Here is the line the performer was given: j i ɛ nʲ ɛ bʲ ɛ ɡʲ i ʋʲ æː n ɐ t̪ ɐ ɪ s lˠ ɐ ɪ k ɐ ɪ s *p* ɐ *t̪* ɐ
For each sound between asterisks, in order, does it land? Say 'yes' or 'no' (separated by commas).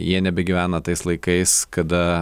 no, no